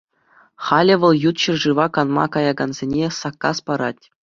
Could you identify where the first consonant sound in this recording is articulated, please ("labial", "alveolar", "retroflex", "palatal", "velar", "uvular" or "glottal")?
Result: uvular